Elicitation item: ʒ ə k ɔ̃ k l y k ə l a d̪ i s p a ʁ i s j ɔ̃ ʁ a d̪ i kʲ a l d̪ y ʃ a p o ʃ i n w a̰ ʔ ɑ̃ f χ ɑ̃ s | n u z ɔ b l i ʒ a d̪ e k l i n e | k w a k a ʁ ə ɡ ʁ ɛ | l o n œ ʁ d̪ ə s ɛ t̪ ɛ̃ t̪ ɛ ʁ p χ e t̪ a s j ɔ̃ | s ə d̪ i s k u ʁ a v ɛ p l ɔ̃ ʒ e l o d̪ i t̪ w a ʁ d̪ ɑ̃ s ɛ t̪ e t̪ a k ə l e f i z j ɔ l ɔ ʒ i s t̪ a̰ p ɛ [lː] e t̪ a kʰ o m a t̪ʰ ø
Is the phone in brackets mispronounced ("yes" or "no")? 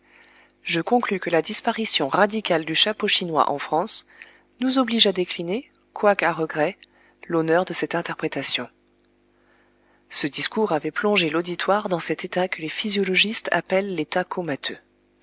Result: no